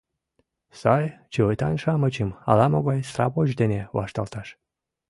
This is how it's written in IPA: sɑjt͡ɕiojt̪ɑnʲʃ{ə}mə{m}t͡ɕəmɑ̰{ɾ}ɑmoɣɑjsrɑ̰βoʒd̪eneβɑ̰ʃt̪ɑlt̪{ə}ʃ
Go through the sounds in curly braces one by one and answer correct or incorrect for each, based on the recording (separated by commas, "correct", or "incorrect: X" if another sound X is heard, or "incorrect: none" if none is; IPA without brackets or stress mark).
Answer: incorrect: ɑ, incorrect: none, incorrect: l, incorrect: ɑ